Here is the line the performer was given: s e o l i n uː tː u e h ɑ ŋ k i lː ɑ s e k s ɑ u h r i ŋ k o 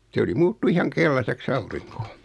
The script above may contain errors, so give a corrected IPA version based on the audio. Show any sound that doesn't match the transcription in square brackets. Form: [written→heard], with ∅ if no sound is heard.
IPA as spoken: s e o l i [n→m] uː tː u [e→i] h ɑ ŋ k [i→e] lː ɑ s e k s ɑ u [h→∅] r i ŋ k o